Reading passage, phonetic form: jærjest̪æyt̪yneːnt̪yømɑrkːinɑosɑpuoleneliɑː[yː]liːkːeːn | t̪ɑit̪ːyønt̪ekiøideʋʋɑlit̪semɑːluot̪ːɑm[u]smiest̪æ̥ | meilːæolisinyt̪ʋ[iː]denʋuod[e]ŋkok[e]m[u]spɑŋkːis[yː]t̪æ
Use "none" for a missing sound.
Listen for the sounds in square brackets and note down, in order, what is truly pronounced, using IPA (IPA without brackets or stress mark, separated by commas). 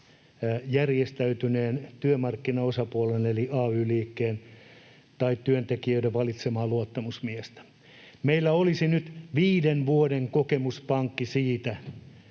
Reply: yː, u, iː, e, e, u, iː